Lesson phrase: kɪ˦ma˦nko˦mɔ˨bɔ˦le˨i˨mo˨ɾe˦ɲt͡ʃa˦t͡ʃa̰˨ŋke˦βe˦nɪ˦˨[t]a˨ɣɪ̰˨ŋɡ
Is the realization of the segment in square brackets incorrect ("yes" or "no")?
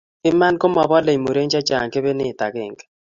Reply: no